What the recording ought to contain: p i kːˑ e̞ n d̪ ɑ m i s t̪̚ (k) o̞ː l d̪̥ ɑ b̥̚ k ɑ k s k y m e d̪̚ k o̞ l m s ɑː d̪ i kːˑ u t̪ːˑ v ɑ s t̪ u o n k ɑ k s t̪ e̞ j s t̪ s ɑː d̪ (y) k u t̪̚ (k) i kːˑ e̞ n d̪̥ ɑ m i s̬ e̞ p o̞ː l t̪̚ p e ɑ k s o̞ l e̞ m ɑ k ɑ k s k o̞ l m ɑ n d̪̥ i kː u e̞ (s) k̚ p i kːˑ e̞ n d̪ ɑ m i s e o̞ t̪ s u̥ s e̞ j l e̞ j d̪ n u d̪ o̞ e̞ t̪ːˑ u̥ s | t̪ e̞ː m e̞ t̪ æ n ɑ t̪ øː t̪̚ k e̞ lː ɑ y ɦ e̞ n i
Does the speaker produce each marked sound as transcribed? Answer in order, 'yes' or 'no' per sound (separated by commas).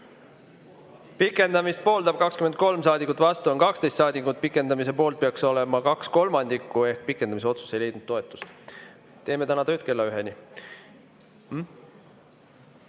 no, no, no, no